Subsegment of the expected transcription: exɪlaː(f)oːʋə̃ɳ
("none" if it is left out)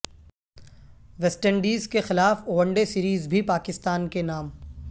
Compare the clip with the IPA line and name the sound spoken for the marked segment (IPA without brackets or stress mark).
f